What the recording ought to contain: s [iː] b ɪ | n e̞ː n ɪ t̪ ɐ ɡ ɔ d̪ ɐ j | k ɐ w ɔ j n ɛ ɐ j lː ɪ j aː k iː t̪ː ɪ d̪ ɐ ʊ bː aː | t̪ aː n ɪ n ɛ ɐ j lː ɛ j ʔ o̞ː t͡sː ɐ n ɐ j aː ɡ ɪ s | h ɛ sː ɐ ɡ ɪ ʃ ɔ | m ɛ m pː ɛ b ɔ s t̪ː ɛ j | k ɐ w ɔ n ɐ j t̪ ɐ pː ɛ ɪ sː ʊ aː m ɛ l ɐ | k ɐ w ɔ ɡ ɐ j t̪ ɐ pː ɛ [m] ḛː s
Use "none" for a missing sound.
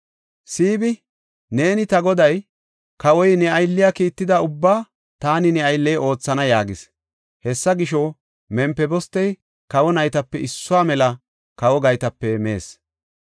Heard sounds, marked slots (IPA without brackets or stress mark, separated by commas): iː, m